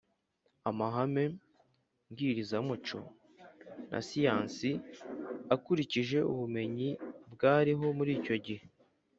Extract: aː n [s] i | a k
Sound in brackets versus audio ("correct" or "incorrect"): correct